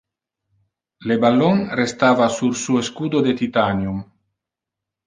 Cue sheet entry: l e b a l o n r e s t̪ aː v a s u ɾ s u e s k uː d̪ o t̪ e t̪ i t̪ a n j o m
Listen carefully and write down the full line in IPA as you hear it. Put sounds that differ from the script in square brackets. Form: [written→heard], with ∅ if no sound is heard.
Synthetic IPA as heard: l e b a l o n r e s t̪ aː v a s u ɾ s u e s k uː d̪ o [t̪→d̪] e t̪ i t̪ a n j [o→u] m